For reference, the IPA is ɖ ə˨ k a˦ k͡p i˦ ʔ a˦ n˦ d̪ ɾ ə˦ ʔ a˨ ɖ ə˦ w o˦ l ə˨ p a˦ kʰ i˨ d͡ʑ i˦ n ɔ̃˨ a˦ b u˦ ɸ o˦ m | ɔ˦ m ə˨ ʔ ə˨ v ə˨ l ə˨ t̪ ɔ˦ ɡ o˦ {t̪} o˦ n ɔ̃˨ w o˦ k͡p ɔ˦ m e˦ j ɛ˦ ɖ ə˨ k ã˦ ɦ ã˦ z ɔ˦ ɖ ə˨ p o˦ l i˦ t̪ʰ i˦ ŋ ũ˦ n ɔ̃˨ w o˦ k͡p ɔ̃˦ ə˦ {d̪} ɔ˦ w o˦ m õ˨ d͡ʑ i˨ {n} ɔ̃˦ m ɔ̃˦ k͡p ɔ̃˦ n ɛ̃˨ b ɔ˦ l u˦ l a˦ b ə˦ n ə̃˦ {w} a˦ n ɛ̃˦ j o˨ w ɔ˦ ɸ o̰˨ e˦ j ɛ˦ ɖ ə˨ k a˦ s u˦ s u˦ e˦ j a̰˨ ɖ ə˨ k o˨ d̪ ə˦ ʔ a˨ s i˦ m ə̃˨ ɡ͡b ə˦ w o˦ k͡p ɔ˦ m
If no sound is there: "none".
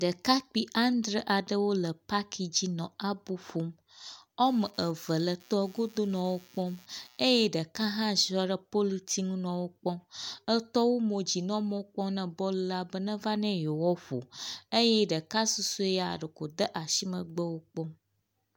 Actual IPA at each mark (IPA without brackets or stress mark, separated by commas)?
d̪, t̪, n, v